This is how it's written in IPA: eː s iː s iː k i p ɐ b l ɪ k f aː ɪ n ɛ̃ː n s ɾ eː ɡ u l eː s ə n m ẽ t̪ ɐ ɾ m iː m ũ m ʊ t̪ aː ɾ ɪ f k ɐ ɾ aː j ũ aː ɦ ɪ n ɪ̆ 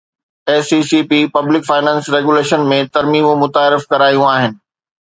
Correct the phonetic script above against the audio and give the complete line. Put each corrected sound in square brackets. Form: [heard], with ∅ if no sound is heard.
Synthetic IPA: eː s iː s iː [p] i p ɐ b l ɪ k f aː ɪ n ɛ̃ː n s ɾ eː ɡ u l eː [ʃ] ə n m ẽ t̪ ɐ ɾ m iː m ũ m ʊ t̪ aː ɾ ɪ f k ɐ ɾ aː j ũ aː ɦ ɪ n ɪ̆